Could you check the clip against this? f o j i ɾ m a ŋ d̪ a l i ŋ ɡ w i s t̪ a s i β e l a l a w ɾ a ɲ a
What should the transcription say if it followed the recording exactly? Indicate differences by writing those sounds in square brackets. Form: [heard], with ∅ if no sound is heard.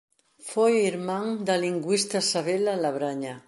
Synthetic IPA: f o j i ɾ m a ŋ d̪ a l i ŋ ɡ w i s t̪ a s [a] β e l a l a [β] ɾ a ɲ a